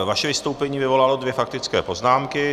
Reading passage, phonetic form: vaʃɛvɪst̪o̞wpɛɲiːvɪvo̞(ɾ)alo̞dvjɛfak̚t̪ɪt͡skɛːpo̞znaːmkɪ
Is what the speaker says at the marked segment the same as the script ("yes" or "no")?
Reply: no